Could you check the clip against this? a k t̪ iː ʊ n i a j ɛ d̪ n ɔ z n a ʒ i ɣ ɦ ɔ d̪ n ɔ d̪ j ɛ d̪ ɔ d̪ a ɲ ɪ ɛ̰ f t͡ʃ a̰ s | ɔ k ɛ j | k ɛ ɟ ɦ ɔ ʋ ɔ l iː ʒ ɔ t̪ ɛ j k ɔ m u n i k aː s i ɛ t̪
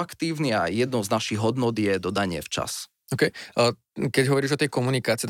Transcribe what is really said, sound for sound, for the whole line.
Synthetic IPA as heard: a k t̪ iː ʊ n i a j ɛ d̪ n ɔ z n a ʃ i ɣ ɦ ɔ d̪ n ɔ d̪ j ɛ d̪ ɔ d̪ a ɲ ɪ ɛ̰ f t͡ʃ a̰ s | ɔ k ɛ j | k ɛ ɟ ɦ ɔ ʋ ɔ ɾ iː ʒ ɔ t̪ ɛ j k ɔ m u n i k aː t͡s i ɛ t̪